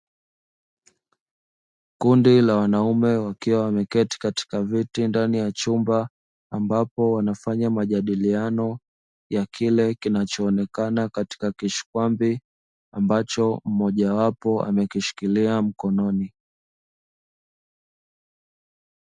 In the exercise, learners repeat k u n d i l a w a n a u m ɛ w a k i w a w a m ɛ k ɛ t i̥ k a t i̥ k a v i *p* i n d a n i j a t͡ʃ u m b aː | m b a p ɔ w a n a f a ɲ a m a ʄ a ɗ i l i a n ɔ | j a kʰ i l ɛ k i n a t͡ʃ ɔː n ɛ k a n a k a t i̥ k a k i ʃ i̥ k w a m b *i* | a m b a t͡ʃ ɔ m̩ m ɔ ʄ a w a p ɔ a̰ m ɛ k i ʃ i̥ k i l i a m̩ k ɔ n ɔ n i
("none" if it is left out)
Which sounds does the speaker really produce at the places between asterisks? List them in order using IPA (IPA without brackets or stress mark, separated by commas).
t, i